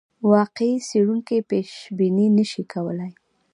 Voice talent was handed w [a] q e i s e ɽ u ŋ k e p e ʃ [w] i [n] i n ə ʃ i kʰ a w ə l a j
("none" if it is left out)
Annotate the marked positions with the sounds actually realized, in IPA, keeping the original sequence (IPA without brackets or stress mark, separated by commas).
ɑ, b, n